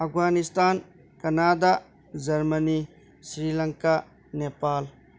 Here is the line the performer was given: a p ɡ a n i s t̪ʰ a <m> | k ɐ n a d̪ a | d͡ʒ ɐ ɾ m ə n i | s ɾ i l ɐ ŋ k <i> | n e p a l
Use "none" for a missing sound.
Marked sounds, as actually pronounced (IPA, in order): n, a

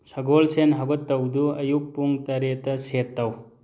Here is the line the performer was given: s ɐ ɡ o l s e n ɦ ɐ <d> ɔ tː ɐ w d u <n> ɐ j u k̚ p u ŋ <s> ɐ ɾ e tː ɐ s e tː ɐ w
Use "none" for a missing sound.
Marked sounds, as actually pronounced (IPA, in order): ɡ, none, t

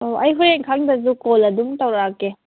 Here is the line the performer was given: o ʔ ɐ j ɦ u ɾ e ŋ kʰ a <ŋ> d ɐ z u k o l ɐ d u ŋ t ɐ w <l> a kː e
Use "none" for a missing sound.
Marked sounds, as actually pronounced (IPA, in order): ŋ, ɾ

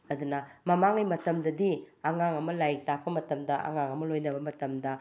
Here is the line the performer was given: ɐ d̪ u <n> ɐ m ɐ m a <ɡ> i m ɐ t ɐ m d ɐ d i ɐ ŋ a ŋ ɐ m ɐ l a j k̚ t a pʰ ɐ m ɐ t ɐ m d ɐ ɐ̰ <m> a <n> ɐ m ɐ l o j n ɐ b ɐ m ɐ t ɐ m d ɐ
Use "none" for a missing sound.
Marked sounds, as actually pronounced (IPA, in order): n, ŋ, ŋ, ŋ

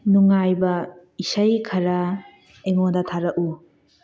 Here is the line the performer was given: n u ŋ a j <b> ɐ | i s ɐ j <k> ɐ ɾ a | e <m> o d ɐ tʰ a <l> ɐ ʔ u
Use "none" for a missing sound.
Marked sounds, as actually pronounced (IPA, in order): b, kʰ, ŋ, ɾ

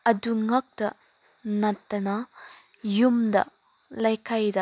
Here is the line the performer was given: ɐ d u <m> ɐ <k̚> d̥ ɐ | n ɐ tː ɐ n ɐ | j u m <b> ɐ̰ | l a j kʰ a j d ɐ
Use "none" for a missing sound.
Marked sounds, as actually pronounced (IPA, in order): ŋ, k̚, d

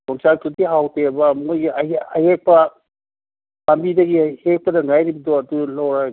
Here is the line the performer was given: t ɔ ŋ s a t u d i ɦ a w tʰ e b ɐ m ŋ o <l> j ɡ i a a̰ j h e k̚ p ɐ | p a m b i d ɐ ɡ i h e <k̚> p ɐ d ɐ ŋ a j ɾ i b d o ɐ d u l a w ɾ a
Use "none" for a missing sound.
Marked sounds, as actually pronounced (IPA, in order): none, k̚

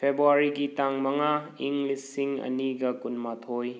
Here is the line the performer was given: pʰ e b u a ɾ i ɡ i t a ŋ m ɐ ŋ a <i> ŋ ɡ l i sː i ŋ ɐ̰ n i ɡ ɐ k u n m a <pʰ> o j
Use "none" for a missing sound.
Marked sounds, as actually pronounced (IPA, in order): i, tʰ

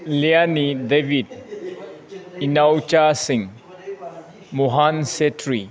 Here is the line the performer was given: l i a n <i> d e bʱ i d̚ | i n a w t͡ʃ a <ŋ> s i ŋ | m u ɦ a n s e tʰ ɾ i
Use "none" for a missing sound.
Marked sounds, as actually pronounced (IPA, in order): i, none

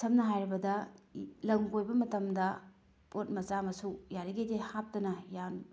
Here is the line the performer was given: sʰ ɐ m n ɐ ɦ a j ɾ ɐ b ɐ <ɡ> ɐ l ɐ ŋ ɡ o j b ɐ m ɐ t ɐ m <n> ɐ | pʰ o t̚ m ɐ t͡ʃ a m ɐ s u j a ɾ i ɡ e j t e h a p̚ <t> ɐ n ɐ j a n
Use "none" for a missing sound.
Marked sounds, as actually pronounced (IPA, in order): d, d, t

